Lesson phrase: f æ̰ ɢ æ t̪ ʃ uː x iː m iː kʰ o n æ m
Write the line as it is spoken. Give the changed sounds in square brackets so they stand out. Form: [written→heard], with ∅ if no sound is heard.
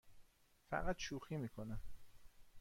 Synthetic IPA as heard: f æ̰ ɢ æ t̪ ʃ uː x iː m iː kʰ o n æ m